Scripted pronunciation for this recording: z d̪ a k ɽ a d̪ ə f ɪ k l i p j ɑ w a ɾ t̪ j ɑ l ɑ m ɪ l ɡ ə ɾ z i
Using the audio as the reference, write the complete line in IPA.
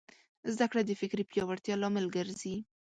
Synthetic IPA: z d̪ a k ɽ a d̪ ə f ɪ k ɾ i p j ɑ w a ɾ t̪ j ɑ l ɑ m ɪ l ɡ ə ɾ z i